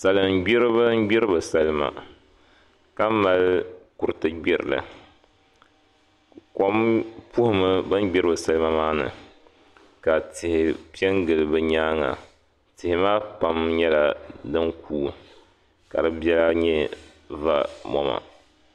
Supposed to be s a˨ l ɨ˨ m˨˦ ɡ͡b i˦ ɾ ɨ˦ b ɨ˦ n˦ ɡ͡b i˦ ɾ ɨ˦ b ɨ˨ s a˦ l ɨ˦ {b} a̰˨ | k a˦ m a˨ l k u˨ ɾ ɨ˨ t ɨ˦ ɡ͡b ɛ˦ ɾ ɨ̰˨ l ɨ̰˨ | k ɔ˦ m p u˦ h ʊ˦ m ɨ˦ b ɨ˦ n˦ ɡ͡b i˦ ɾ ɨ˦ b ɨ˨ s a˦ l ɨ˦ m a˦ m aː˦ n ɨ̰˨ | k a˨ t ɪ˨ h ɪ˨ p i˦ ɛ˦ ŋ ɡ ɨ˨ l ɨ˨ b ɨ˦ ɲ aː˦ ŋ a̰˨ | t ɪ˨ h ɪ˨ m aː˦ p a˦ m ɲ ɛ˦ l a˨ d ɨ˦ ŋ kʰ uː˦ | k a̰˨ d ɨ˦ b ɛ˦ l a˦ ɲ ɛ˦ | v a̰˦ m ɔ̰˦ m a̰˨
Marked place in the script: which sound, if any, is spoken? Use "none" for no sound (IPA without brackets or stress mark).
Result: m